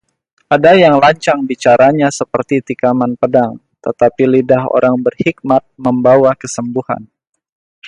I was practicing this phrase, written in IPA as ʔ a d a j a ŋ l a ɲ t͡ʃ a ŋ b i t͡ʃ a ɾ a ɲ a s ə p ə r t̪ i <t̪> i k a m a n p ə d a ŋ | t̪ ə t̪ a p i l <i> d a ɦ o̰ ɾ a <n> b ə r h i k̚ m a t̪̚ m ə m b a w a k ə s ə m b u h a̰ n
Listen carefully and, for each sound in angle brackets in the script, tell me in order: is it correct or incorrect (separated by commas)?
correct, correct, incorrect